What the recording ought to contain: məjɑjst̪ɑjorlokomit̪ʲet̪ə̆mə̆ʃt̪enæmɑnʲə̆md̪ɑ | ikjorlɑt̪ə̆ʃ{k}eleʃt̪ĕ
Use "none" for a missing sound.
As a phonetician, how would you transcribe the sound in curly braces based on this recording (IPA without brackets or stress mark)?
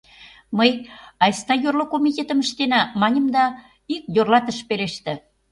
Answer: p